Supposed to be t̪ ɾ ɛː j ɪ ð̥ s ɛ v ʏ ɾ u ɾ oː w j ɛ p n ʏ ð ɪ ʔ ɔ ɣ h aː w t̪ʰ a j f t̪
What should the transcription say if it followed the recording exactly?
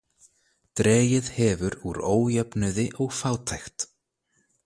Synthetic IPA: t̪ ɾ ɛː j ɪ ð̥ h ɛ v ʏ ɾ u ɾ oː w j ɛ p n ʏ ð ɪ ʔ ɔ ɣ f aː w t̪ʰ a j x t̪